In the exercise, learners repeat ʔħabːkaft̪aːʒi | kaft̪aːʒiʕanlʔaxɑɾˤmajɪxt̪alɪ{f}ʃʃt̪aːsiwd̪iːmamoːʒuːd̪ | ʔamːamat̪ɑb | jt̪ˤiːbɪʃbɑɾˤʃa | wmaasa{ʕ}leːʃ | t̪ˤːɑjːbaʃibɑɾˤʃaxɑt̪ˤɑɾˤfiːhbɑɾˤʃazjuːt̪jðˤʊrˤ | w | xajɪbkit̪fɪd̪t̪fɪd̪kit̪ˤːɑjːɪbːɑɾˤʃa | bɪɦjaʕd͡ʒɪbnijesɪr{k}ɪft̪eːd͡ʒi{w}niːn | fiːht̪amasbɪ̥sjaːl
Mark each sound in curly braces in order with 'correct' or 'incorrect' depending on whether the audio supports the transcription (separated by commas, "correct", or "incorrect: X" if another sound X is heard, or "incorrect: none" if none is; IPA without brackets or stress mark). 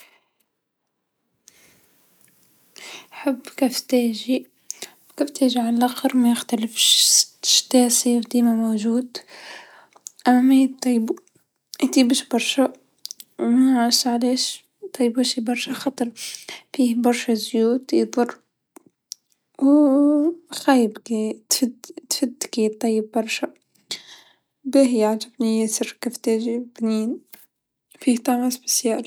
correct, correct, correct, incorrect: b